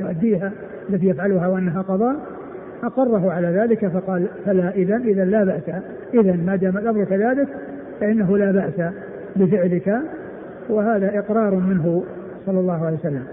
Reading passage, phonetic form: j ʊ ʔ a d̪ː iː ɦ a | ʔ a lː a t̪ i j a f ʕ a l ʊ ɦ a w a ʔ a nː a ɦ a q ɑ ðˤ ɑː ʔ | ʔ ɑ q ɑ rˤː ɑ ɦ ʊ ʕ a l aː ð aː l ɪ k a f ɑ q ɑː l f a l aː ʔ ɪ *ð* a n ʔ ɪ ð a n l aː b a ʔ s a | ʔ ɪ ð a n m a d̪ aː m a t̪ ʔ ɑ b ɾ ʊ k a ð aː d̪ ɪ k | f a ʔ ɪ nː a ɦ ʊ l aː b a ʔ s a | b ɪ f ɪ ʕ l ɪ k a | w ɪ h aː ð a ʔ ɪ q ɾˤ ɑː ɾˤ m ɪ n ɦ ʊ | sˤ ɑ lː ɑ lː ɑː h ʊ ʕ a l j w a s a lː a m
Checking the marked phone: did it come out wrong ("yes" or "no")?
no